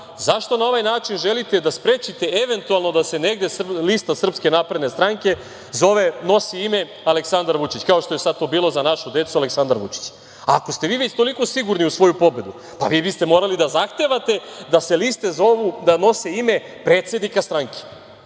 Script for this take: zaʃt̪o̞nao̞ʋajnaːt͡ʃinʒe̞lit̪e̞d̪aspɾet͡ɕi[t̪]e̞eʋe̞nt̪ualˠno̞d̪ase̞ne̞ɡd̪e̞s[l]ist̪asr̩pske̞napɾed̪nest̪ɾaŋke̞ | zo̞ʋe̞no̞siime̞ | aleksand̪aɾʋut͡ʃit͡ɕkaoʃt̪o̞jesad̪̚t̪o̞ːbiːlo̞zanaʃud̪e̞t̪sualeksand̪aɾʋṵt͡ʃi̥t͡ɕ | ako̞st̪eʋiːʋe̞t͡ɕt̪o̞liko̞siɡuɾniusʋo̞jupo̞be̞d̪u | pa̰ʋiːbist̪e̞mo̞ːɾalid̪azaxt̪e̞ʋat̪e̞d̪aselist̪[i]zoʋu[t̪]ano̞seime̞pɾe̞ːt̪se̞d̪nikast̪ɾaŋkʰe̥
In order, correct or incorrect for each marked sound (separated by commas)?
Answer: correct, correct, incorrect, incorrect